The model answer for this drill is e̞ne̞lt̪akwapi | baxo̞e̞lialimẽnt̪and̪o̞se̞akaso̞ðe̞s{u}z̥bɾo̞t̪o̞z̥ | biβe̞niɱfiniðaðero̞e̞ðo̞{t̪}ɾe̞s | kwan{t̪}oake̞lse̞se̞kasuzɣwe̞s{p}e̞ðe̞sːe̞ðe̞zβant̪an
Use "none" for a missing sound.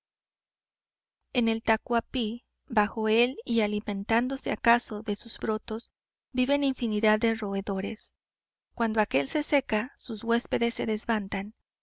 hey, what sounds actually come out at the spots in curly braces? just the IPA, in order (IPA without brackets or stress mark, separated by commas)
u, none, d̪, p